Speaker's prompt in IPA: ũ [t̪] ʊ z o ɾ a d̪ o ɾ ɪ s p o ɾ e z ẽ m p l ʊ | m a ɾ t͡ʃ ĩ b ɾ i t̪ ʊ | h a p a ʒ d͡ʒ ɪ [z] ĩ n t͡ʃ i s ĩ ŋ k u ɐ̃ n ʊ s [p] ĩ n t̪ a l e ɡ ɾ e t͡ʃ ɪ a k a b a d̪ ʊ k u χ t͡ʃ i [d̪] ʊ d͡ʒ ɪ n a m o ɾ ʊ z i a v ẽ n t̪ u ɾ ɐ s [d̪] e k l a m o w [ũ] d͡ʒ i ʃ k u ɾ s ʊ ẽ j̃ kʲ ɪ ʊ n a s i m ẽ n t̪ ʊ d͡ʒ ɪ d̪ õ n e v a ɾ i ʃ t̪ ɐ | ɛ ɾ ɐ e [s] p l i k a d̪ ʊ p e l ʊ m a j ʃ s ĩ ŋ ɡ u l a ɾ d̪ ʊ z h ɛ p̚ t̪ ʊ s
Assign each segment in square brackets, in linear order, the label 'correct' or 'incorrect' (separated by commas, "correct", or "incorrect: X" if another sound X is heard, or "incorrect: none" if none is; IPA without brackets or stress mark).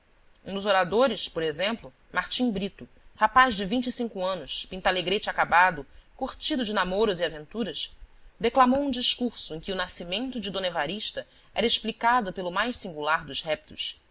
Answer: incorrect: d̪, incorrect: v, correct, correct, correct, correct, incorrect: ʃ